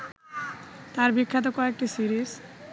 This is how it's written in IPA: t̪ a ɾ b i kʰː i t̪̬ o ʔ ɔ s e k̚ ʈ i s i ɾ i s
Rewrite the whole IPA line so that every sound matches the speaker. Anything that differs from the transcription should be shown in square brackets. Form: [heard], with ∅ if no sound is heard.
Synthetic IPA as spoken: t̪ a ɾ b i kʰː [a] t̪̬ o [k] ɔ [∅] e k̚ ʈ i s i ɾ i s